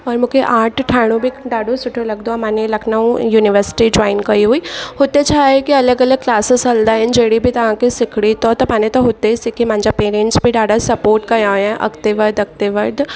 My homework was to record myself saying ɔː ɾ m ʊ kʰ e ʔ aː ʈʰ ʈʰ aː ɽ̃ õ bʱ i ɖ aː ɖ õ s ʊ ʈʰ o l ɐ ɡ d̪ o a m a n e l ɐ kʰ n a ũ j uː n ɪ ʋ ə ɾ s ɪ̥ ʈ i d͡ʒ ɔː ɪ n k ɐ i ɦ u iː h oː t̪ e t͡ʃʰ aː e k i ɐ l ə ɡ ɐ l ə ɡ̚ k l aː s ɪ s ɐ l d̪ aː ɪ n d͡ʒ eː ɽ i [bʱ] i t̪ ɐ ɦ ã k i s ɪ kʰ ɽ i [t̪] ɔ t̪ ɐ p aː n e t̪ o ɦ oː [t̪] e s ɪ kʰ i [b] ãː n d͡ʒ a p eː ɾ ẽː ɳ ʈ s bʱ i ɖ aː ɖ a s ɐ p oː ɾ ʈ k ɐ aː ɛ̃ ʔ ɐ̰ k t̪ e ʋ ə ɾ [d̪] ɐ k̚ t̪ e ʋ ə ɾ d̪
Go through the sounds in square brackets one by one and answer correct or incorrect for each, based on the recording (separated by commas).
correct, correct, correct, incorrect, correct